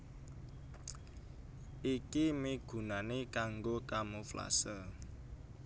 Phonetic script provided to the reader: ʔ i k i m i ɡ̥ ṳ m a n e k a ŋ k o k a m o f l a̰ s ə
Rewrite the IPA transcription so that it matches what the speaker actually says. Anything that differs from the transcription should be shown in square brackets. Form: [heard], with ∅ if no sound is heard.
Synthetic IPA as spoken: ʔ i k i m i ɡ̥ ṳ [n] a n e k a ŋ [ɡ] o k a m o f l a̰ s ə